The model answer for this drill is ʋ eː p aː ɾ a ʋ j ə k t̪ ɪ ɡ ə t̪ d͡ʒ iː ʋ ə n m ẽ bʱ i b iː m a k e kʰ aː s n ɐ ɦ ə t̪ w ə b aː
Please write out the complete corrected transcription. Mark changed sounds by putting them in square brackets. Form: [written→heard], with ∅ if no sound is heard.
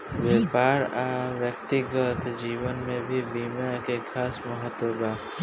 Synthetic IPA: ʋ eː p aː ɾ a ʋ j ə k t̪ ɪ ɡ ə t̪ d͡ʒ iː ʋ ə n m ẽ bʱ i b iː m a k e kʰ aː s [n→m] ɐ ɦ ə t̪ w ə b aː